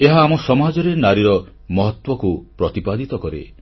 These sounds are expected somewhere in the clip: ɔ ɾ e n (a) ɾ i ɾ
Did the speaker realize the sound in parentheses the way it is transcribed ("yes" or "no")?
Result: yes